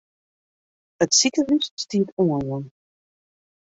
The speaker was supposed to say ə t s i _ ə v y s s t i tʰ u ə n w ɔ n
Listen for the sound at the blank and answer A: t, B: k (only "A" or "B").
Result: B